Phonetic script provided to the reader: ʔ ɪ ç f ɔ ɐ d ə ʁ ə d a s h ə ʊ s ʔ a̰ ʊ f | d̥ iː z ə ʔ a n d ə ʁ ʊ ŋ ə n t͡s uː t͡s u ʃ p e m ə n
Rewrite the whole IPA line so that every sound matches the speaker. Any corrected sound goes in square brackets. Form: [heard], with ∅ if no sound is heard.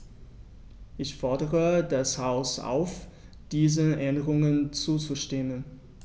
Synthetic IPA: ʔ ɪ ç f ɔ ɐ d ə ʁ ə d a s h [a] ʊ s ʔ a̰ ʊ f | d̥ iː z ə ʔ [ɛ] n d ə ʁ ʊ ŋ ə n t͡s uː t͡s u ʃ [t] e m ə n